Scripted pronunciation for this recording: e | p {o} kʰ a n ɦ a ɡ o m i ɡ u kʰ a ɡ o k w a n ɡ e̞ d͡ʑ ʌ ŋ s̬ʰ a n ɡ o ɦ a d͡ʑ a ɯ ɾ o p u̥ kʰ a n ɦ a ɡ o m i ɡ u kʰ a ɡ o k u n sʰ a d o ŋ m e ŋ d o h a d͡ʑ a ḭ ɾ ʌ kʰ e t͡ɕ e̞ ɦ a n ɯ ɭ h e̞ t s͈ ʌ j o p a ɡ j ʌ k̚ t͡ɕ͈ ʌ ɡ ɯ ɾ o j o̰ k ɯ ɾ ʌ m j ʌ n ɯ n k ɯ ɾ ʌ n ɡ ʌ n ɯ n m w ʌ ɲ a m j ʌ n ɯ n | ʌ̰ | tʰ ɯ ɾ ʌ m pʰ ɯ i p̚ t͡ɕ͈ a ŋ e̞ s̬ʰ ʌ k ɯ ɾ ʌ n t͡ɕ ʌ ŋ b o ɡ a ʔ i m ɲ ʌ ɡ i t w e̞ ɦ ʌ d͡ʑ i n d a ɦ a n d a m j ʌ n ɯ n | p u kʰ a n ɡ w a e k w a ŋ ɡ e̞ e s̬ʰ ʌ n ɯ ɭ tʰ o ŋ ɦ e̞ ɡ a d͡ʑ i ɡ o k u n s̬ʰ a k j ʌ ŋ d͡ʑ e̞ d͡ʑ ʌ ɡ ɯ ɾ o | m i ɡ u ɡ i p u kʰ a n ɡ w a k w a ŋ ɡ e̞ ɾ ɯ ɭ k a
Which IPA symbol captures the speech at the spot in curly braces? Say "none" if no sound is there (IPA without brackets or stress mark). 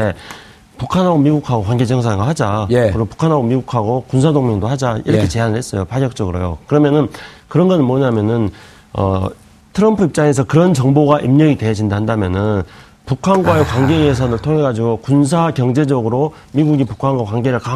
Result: u